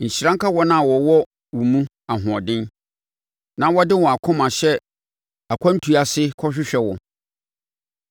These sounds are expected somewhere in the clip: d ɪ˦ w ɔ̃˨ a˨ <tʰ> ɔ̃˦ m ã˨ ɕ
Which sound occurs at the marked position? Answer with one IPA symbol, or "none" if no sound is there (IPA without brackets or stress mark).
kʰ